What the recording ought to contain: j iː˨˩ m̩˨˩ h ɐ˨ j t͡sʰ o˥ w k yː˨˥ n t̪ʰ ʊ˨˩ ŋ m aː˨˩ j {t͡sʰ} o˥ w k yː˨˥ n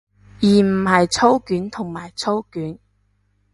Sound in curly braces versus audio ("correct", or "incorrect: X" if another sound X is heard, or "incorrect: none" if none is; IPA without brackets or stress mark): correct